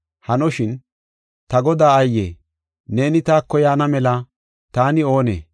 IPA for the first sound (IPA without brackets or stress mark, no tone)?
h